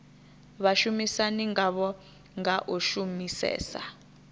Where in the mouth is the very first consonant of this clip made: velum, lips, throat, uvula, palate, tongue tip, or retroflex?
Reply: lips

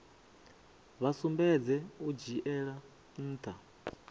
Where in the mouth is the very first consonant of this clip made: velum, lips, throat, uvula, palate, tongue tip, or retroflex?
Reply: lips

